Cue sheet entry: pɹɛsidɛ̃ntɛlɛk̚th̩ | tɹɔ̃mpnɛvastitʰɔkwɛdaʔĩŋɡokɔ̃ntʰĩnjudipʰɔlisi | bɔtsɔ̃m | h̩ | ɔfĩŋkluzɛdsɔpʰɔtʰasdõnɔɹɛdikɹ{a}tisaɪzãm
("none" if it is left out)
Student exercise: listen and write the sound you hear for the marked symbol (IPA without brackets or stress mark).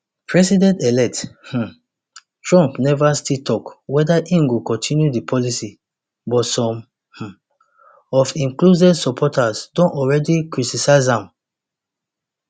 i